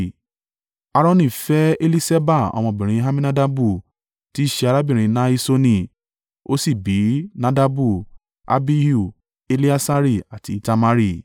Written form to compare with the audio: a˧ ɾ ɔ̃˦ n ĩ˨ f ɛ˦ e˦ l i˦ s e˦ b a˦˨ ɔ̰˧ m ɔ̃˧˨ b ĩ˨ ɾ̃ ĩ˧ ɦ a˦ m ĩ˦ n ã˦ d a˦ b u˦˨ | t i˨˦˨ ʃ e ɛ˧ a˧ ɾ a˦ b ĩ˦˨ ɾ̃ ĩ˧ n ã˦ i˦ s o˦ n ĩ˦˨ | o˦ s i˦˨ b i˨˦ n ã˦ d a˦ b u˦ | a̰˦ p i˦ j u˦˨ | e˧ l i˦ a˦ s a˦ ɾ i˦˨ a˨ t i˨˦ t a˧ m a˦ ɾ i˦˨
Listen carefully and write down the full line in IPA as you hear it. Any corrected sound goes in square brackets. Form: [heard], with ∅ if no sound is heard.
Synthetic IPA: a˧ ɾ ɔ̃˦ n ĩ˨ f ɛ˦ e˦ l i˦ s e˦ b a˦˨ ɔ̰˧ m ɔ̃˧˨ b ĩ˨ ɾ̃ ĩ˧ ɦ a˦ m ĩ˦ n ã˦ d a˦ b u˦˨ | t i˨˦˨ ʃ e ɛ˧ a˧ ɾ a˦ b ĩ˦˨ ɾ̃ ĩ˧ n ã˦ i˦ s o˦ n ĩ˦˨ | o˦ s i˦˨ b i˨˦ n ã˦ d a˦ b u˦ | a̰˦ [b] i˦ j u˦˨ | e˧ l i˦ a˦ s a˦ ɾ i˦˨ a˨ t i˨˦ t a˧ m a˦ ɾ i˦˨